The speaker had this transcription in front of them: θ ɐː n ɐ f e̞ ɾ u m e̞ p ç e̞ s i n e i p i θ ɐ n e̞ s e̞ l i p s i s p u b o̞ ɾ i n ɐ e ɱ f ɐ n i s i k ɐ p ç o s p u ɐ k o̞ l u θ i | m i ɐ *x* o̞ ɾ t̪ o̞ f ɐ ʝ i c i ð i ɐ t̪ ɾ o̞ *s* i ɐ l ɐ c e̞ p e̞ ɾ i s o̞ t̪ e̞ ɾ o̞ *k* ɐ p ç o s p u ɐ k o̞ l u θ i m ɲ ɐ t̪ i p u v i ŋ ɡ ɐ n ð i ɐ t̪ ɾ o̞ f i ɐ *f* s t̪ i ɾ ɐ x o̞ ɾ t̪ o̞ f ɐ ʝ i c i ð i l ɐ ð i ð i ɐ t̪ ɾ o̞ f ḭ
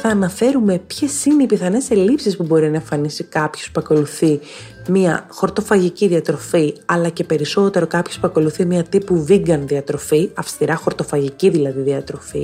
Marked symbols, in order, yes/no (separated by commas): yes, no, yes, yes